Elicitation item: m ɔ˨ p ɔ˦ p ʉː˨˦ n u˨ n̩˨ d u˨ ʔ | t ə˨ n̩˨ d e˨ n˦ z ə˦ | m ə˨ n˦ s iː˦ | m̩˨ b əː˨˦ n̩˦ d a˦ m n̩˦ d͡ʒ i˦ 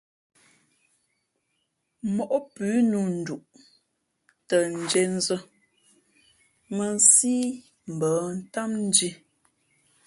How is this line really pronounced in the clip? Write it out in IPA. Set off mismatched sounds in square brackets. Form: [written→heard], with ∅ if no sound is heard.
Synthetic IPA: m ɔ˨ [p→ʔ] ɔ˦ p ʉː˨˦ n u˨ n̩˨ d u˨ ʔ | t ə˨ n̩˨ [d→d͡ʒ] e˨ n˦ z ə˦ | m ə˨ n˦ s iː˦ | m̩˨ b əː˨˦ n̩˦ [d→t] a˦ m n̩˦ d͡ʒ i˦